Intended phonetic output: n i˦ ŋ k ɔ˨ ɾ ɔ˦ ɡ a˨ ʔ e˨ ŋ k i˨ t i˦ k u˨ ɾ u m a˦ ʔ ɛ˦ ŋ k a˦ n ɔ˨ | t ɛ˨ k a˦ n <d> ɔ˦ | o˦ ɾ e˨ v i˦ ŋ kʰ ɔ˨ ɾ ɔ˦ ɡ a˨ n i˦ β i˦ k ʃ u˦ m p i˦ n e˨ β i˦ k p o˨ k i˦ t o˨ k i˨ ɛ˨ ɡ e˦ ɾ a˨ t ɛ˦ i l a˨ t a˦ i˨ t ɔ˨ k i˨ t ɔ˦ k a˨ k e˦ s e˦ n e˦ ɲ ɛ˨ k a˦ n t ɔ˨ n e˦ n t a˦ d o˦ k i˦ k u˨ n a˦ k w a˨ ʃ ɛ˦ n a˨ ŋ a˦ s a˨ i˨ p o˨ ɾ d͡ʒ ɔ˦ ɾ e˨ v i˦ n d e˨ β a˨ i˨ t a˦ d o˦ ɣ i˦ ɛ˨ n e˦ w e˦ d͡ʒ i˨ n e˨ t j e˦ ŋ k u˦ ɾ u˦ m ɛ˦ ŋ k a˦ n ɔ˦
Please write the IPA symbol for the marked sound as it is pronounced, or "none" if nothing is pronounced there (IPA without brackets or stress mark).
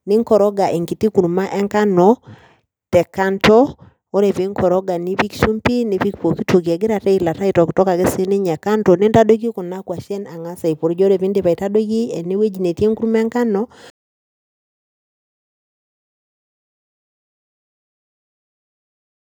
t